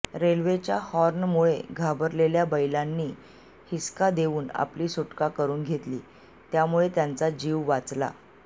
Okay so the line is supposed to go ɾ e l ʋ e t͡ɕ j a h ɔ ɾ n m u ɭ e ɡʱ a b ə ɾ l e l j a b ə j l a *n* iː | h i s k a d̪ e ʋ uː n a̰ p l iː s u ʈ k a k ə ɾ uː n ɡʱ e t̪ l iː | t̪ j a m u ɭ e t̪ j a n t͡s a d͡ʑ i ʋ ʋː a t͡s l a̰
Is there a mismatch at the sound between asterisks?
yes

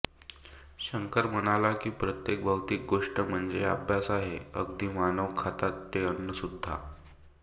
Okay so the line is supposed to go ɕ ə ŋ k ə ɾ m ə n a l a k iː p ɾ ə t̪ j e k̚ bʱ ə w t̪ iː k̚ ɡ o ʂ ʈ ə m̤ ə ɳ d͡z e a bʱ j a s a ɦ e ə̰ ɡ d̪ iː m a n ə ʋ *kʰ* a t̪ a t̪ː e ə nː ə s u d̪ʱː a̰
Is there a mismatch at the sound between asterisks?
no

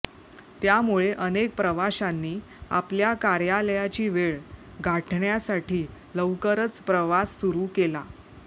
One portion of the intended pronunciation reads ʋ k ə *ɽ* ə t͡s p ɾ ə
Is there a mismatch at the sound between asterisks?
yes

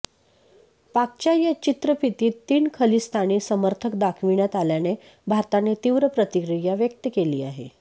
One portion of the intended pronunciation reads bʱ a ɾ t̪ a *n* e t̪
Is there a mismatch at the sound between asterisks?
no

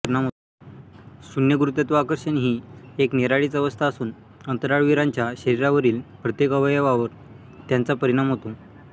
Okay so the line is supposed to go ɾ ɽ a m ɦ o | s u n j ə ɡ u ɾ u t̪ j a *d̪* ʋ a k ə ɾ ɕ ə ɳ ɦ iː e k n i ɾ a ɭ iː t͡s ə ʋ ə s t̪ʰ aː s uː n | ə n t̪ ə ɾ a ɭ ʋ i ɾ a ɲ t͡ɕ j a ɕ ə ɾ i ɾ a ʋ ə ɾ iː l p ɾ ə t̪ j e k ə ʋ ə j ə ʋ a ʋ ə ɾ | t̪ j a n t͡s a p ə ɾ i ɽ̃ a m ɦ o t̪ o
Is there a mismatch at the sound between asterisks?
yes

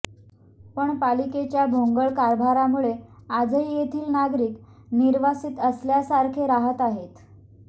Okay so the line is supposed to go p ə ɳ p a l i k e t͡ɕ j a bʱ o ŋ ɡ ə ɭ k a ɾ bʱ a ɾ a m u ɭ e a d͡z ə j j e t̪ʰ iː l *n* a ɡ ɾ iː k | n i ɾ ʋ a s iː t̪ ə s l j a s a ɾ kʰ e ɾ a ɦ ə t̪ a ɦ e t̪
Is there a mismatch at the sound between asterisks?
no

